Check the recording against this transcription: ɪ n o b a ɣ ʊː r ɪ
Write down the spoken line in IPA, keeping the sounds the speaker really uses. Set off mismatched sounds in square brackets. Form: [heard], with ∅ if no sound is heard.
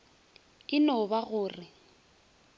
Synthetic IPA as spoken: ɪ n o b a ɣ ʊː r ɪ

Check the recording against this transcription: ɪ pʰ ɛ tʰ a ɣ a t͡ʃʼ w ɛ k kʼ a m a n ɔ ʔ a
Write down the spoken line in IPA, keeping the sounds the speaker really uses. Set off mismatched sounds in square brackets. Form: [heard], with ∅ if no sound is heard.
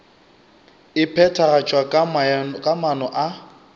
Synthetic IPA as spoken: ɪ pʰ ɛ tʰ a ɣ a t͡ʃʼ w [a] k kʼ a m a n ɔ ʔ a

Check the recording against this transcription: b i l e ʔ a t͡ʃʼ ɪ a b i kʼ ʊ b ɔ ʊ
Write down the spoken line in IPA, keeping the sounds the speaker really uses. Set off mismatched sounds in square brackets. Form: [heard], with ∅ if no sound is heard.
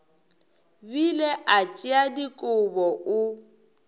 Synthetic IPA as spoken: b i l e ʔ a t͡ʃʼ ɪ a [d] i kʼ ʊ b ɔ ʊ

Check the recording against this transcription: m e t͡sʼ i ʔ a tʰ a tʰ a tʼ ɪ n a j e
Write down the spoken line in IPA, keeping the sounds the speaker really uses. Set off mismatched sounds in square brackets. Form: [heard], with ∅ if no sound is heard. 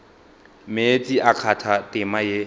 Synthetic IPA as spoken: m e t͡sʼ i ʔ a [kʰ] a tʰ a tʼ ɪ [m] a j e

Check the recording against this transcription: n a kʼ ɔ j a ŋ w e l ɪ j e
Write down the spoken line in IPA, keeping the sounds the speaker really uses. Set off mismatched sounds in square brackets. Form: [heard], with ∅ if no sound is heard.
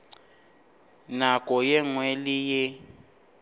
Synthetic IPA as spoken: n a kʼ ɔ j [ɛ] ŋ w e l [i] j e

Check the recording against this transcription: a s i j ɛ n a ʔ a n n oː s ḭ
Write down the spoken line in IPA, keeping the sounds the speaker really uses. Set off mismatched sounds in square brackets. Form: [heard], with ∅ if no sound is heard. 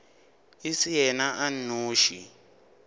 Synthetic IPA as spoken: [i] s i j ɛ n a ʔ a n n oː [ʃ] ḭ

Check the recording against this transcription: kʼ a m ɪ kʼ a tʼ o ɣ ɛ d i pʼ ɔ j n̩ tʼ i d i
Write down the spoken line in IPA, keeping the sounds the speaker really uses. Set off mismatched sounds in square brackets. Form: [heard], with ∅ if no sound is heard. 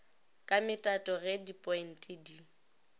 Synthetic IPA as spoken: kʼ a m ɪ [tʼ] a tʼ [ɔ] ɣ ɛ d i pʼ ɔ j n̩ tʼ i d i

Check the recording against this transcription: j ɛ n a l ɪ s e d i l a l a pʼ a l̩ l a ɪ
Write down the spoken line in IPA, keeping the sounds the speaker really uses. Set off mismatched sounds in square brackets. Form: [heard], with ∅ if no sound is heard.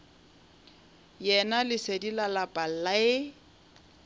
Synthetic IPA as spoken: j ɛ n a l ɪ s e d i l a l a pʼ a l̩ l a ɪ

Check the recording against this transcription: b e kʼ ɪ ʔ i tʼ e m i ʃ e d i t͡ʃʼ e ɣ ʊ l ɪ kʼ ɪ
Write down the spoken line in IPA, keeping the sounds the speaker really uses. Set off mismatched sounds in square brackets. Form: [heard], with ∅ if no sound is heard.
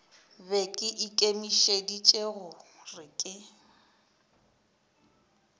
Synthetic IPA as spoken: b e kʼ ɪ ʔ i [kʼ] e m i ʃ e d i t͡ʃʼ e ɣ ʊ [r] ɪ kʼ ɪ

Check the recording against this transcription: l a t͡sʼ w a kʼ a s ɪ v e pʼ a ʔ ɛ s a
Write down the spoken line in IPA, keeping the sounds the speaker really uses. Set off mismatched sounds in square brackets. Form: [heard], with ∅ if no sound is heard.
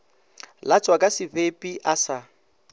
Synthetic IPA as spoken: l a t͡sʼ w a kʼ a s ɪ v e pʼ [i] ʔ [a] s a

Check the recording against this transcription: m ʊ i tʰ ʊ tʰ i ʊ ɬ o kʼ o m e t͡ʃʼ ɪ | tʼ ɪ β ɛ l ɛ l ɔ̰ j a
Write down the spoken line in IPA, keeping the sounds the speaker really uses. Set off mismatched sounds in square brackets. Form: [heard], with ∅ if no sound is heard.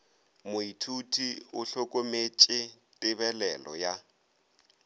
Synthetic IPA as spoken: m ʊ i tʰ [u] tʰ i ʊ ɬ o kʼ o m e t͡ʃʼ ɪ | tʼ ɪ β ɛ l ɛ l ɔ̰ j a

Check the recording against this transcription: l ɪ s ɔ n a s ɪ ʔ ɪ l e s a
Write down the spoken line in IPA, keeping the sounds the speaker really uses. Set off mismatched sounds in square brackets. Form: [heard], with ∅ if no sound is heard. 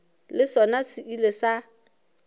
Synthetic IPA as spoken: l ɪ s ɔ n a s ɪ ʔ [i] l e s a

